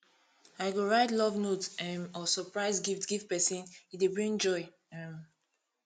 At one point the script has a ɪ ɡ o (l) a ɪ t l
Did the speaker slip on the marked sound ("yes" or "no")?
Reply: yes